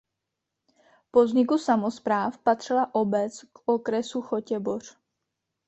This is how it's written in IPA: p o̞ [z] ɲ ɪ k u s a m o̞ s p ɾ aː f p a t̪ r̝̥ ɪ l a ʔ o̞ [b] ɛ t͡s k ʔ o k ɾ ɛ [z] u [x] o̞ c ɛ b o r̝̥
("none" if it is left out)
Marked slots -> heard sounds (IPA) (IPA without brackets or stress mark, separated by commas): z, b, s, x